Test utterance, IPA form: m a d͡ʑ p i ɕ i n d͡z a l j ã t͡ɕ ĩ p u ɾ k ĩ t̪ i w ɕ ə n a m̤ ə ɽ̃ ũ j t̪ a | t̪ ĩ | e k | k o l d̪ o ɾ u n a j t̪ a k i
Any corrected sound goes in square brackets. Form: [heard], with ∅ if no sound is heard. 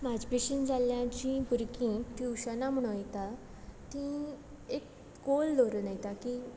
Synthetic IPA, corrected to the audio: m a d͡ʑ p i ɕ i n d͡z a l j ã t͡ɕ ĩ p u ɾ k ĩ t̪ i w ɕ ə n a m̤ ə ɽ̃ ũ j t̪ a | t̪ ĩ | e k | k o l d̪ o ɾ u n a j t̪ a k i